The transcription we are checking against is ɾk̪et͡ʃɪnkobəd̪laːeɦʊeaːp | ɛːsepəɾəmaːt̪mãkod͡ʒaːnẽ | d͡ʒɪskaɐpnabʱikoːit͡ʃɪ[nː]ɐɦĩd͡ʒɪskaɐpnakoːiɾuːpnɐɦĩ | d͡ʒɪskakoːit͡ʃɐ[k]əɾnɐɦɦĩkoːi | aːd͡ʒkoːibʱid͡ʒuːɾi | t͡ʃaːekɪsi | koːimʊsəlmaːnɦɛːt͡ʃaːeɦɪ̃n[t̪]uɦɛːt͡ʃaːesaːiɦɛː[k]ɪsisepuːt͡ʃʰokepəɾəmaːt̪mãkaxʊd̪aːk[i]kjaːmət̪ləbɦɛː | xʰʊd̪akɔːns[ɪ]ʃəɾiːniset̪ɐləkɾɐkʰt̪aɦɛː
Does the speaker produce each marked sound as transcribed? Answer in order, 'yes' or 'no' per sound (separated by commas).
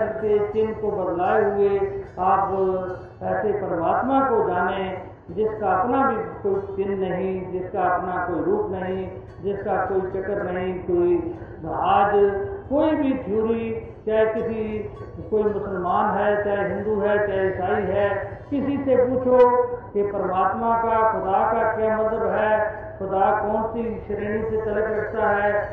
yes, yes, no, yes, no, no